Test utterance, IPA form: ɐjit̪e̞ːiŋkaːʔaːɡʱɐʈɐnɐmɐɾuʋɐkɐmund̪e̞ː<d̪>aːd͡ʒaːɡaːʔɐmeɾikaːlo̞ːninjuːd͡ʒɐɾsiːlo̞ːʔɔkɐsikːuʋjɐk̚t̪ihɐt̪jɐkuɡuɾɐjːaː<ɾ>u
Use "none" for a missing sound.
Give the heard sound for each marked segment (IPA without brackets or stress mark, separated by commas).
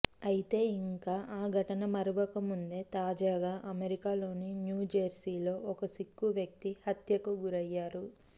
t̪, ɾ